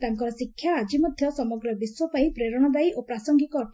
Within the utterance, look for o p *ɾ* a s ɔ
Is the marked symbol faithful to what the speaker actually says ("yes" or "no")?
yes